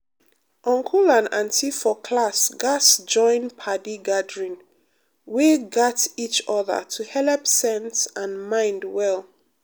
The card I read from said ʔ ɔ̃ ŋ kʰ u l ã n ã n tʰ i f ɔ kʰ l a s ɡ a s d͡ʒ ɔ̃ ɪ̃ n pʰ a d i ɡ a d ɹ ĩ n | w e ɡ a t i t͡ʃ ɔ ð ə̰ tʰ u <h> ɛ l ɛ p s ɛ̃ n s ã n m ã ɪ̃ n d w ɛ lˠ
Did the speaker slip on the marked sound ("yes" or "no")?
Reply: no